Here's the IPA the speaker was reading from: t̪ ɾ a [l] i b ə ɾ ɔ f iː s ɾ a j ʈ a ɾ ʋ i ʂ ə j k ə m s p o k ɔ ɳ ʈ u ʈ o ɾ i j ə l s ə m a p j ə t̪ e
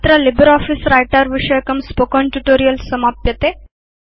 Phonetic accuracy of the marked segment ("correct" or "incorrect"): correct